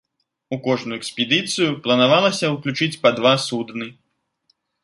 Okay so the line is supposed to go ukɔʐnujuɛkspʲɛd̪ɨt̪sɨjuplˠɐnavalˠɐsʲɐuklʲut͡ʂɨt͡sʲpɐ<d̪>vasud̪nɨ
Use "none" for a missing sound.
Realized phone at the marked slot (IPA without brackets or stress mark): d̪